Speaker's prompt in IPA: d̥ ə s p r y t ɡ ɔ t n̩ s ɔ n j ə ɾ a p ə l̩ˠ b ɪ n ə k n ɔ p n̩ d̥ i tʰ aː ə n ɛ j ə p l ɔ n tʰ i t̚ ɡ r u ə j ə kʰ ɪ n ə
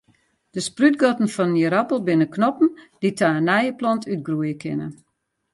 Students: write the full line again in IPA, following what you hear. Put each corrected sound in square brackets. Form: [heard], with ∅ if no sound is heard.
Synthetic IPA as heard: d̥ ə s p r y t ɡ ɔ t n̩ [f] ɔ n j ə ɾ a p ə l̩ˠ b ɪ n ə k n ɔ p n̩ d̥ i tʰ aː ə n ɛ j ə p l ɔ n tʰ [y] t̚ ɡ r u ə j ə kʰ ɪ n ə